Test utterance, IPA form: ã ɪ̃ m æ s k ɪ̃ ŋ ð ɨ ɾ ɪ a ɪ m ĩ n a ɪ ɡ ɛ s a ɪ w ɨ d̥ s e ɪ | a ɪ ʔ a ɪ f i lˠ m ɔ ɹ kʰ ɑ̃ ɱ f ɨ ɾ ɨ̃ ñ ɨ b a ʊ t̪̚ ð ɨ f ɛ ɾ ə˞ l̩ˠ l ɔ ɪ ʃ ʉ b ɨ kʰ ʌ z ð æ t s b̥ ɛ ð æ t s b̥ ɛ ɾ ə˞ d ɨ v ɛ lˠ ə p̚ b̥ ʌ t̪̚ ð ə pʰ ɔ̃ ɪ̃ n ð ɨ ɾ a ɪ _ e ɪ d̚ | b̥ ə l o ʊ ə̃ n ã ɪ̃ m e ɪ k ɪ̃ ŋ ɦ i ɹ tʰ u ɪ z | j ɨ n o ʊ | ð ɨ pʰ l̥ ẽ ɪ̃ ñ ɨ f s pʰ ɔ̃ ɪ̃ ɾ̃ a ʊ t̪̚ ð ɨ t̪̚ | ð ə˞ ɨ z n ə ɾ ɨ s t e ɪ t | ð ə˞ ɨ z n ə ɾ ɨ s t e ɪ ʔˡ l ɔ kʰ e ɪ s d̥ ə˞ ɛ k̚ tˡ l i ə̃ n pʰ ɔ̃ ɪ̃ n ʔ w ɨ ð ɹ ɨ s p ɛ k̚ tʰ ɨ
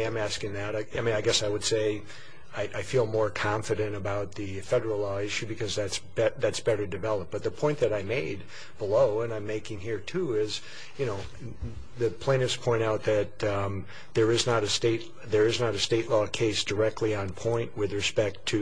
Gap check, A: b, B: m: B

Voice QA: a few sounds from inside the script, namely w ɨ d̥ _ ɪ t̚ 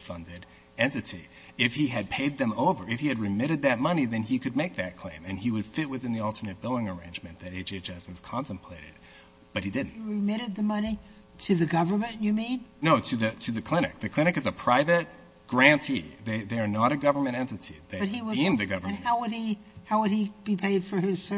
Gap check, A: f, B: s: A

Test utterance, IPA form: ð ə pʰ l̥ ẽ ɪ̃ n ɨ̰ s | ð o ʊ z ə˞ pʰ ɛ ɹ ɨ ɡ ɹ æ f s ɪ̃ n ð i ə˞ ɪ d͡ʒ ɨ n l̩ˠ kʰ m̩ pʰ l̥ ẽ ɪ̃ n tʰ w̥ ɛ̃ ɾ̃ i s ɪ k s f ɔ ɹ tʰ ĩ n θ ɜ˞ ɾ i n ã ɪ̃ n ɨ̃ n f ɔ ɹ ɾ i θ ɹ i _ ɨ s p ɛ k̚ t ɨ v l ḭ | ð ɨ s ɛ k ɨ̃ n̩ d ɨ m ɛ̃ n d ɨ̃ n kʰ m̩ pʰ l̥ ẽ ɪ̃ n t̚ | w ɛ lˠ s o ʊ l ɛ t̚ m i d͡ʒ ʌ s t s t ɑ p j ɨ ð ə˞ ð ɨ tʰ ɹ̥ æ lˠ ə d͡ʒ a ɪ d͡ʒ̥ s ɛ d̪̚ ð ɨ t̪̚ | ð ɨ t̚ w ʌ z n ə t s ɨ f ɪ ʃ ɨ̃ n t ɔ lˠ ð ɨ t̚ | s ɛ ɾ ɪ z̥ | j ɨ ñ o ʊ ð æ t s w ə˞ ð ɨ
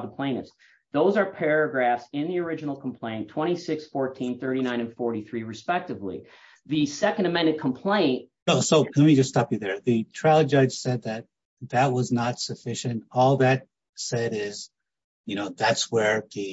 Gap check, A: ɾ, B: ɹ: B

